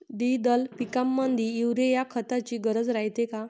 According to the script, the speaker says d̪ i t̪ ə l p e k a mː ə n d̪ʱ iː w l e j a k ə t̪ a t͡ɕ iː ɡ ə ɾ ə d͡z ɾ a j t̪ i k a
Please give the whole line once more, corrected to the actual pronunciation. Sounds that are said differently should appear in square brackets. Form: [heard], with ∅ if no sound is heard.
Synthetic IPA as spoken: d̪ i [d̪] ə l p [i] k a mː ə n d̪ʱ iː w [ɾ] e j a [kʰ] ə t̪ a t͡ɕ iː ɡ ə ɾ ə d͡z ɾ a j t̪ [e] k a